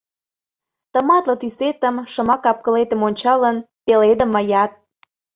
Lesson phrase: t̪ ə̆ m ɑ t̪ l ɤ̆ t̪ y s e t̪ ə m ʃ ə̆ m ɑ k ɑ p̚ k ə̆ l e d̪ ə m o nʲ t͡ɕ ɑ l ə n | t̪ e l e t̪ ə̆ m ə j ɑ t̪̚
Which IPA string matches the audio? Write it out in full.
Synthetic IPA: t̪ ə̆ m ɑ t̪ l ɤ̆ t̪ y s e t̪ ə m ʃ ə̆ m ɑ k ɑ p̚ k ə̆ l e t̪ ə m o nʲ t͡ɕ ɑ l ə n | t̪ e l e d̪ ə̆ m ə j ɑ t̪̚